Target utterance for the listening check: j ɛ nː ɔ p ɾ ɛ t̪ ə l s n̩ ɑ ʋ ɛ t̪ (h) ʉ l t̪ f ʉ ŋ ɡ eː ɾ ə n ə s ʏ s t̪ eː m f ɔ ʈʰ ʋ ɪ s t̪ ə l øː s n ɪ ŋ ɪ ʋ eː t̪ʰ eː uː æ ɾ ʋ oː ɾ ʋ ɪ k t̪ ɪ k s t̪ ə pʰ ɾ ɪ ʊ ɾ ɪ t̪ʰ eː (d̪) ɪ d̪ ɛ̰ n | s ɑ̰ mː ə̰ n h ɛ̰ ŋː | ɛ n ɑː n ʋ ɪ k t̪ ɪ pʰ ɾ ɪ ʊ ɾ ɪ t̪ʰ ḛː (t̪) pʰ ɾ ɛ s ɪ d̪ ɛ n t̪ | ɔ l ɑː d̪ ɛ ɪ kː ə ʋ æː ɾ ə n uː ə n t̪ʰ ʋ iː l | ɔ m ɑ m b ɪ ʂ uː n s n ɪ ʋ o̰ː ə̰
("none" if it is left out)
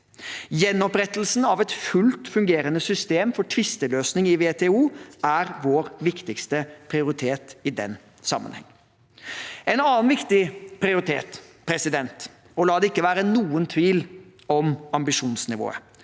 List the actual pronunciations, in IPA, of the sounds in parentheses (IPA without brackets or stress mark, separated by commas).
f, t̪, t̪